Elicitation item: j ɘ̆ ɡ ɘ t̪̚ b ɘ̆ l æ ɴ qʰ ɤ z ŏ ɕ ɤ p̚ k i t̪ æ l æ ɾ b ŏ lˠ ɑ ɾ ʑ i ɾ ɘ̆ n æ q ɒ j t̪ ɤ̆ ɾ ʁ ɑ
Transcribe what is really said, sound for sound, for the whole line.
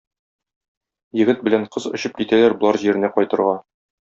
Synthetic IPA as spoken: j ɘ̆ ɡ ɘ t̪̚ b ɘ̆ l æ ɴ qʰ ɤ z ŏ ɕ ɤ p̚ k i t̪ æ l æ ɾ b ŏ lˠ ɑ ɾ ʑ i ɾ ɘ̆ n æ q ɒ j t̪ ɤ̆ ɾ ʁ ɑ